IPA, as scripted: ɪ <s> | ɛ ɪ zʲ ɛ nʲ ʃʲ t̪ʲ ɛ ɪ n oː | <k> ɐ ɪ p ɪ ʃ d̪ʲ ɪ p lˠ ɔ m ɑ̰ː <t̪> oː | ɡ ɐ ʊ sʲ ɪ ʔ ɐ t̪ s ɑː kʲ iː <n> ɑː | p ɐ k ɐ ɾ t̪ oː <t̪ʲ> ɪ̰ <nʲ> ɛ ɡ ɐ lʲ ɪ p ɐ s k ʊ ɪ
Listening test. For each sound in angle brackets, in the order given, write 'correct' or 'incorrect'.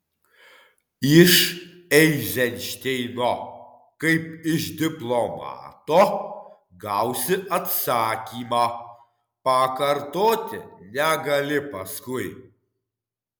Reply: incorrect: ʃ, correct, correct, incorrect: m, correct, correct

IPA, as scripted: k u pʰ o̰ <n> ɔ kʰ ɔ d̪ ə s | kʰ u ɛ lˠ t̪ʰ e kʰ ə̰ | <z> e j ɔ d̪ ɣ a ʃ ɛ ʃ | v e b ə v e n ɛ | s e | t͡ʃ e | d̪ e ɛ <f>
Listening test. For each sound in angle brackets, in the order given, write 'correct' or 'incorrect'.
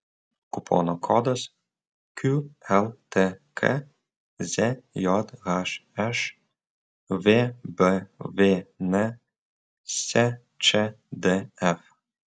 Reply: correct, correct, correct

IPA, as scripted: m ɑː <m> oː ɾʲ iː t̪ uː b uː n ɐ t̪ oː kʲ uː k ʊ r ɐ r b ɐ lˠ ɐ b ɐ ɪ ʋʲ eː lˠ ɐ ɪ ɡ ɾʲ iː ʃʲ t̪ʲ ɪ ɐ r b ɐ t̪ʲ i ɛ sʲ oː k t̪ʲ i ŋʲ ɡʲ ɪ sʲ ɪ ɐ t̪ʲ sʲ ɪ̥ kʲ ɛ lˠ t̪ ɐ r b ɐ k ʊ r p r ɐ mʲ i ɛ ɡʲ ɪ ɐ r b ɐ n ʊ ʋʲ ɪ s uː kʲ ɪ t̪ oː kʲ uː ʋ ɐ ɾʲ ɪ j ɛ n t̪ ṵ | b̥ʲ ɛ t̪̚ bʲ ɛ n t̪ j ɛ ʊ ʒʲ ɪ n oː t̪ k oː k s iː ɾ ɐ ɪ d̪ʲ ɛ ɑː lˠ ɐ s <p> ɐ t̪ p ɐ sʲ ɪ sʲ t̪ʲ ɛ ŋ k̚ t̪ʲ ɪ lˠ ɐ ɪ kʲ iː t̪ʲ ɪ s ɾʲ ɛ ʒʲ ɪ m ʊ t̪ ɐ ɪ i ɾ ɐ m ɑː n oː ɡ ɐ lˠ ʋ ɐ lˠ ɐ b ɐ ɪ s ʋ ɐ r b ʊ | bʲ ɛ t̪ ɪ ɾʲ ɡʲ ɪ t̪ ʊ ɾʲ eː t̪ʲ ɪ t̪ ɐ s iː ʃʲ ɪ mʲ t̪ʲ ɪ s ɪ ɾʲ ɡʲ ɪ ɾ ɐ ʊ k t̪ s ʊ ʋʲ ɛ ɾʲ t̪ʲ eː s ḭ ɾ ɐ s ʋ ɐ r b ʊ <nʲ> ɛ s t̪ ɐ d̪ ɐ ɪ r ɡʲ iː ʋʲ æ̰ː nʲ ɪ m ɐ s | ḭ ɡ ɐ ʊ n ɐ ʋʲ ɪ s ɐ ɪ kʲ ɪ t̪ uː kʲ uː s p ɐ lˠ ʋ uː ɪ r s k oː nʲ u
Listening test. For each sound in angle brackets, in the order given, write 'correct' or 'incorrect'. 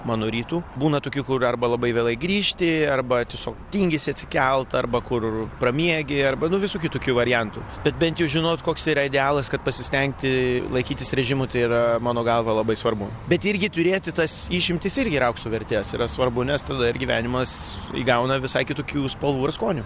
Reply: incorrect: n, incorrect: k, correct

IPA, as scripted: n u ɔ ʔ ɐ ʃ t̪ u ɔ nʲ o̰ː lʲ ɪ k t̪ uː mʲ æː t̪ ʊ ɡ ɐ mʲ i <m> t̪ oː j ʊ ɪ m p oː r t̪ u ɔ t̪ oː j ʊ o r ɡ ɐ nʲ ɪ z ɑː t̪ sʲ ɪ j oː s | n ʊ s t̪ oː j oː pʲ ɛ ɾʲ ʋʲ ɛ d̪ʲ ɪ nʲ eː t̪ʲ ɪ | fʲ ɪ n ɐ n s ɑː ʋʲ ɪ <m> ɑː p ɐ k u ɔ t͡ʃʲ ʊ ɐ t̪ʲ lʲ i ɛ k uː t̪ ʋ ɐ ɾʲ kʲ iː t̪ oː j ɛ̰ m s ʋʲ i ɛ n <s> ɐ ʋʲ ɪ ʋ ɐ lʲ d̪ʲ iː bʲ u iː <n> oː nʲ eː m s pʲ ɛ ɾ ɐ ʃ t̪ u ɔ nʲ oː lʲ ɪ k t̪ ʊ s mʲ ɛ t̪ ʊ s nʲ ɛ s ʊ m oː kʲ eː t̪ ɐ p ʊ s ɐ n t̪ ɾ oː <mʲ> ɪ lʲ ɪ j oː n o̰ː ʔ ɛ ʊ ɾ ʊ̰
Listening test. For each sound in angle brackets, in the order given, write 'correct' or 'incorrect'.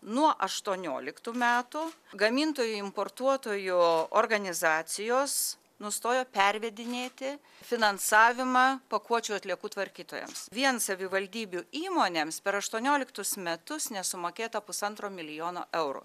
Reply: incorrect: n, correct, correct, incorrect: m, correct

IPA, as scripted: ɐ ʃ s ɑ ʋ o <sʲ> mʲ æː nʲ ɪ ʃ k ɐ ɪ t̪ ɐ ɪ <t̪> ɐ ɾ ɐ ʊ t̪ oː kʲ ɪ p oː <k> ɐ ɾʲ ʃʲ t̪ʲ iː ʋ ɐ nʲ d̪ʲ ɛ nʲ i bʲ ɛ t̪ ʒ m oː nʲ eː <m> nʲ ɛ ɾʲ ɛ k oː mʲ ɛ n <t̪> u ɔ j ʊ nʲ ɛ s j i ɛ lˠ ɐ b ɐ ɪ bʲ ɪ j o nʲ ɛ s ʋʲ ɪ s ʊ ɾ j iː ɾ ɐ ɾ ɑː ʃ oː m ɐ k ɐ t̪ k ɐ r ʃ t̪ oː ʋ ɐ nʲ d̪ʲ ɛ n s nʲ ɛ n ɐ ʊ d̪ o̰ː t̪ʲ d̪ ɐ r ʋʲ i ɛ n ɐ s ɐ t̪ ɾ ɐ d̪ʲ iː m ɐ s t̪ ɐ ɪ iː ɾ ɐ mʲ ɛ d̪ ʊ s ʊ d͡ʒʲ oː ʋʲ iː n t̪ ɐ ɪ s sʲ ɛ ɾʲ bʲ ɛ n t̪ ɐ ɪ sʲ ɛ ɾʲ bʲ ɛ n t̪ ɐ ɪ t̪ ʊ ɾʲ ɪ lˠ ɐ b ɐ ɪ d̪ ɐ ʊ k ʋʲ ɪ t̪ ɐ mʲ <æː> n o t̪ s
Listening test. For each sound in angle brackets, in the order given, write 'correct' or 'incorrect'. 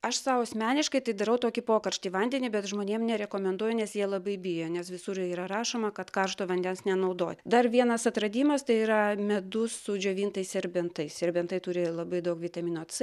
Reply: correct, incorrect: d̪, correct, correct, incorrect: d̪, incorrect: iː

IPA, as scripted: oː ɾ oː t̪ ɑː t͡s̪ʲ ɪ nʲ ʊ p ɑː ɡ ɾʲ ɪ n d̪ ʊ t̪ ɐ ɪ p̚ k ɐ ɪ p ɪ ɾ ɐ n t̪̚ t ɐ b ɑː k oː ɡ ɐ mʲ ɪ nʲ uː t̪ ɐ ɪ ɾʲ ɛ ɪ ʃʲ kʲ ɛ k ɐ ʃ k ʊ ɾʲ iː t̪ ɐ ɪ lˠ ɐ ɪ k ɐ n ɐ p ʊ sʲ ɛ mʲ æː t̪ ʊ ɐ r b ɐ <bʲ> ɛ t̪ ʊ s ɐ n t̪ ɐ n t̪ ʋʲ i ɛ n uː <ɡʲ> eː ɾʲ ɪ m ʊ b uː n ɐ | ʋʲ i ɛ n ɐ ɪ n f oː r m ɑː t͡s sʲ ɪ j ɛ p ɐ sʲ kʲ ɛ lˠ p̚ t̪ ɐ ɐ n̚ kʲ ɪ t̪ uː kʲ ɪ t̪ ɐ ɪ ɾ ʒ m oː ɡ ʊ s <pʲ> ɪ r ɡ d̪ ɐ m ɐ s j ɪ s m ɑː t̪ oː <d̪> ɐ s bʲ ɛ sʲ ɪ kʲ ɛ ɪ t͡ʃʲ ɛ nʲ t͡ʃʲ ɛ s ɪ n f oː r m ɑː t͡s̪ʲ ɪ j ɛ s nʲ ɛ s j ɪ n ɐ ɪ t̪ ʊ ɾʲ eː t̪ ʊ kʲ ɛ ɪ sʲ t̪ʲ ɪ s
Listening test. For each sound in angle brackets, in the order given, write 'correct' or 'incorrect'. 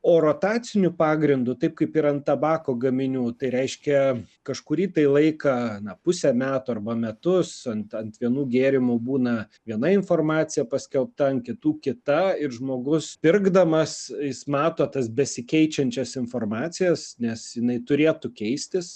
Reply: incorrect: mʲ, correct, correct, incorrect: t̪

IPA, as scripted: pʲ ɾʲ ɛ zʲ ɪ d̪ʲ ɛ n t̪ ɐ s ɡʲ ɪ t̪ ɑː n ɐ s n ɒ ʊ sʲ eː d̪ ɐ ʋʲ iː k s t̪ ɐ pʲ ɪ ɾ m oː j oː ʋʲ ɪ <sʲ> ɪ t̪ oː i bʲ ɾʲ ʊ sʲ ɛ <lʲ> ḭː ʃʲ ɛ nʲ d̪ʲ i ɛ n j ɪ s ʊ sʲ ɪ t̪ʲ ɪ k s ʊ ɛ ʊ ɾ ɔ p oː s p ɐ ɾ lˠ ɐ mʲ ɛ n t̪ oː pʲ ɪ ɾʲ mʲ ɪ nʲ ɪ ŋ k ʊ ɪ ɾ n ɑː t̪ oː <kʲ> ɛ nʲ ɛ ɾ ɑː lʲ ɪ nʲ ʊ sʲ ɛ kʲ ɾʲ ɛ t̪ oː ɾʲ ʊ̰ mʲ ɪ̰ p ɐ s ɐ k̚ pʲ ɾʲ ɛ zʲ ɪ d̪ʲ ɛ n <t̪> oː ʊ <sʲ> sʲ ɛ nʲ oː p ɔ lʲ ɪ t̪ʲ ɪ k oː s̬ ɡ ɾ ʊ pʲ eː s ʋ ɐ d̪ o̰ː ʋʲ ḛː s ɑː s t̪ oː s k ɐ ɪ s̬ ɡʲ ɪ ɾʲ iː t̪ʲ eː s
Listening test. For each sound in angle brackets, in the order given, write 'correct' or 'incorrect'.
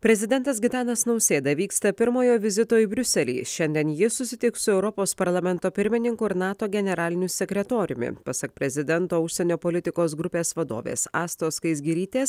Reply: incorrect: zʲ, correct, incorrect: ɡʲ, correct, incorrect: ʃʲ

